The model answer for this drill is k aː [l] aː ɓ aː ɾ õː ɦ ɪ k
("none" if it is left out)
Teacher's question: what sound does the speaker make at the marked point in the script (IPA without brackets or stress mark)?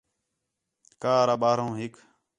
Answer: ɾ